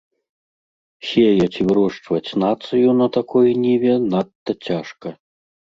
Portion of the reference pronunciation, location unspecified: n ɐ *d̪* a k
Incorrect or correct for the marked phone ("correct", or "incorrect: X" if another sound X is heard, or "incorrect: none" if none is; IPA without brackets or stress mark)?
incorrect: t̪